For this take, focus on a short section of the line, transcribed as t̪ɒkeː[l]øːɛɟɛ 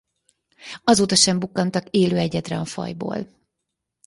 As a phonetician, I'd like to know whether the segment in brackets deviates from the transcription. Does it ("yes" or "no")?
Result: no